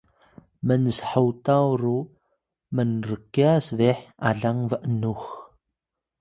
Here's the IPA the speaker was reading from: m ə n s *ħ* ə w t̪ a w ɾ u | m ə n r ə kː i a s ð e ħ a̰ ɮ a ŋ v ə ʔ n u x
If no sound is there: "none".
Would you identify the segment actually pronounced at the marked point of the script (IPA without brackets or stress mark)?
ħ